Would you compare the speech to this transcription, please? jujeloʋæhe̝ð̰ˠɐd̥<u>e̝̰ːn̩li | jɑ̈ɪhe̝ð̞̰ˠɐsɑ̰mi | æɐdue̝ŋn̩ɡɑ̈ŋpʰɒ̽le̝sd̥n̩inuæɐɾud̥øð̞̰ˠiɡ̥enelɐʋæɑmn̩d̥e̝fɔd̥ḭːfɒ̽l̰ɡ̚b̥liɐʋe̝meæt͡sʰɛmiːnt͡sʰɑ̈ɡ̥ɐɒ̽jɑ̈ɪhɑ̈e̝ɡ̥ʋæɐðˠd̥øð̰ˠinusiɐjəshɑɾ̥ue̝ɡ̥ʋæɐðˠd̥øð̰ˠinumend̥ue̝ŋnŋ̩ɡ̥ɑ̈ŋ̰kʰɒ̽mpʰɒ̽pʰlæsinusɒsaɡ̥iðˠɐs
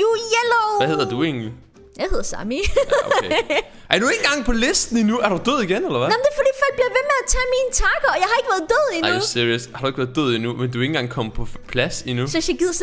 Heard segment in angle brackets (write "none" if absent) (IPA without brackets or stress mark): u